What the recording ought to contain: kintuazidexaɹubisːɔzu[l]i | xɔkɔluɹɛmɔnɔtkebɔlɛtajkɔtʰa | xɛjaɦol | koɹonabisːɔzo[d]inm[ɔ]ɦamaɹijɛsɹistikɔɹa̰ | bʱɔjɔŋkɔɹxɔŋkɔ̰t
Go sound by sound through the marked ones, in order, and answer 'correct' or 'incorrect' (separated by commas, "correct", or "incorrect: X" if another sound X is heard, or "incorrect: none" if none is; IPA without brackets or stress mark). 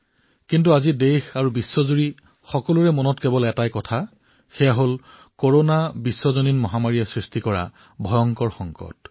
incorrect: ɹ, incorrect: n, correct